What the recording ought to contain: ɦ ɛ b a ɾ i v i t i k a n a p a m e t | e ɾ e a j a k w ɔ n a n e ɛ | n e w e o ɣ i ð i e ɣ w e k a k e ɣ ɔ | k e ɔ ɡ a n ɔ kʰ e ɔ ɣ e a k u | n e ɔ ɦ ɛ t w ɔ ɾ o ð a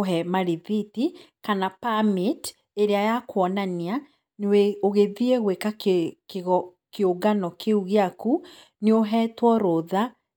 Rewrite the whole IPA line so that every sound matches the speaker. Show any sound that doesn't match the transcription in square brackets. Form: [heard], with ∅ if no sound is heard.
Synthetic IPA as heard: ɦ ɛ [m] a ɾ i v i t i k a n a p a m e t | e ɾ e a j a k w ɔ n a n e [a] | n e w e o ɣ [e] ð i e ɣ w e k a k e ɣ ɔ | k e [o] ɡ a n ɔ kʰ e [u] ɣ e a k u | n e [o] ɦ ɛ t w ɔ ɾ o ð a